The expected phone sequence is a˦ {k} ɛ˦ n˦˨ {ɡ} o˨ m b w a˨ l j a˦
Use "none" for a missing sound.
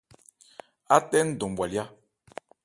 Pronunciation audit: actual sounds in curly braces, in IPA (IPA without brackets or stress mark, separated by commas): t, d